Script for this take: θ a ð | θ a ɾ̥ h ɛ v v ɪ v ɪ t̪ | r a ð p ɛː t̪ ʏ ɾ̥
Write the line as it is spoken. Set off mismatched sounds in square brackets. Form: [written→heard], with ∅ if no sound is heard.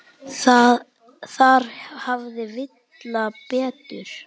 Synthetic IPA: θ a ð | θ a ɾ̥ h [ɛ→a] v [v→ð] ɪ v ɪ t̪ | [r→l] a [ð→∅] p ɛː t̪ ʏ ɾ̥